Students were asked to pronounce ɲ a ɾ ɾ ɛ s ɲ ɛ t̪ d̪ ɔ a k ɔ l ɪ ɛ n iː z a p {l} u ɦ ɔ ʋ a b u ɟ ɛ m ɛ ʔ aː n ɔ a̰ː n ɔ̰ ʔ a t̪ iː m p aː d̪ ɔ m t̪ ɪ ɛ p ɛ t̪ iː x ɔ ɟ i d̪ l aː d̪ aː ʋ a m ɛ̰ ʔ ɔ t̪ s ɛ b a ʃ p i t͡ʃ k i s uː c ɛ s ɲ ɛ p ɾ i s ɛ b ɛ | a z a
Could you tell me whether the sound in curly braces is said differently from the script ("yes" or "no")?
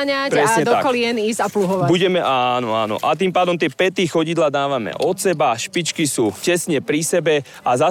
no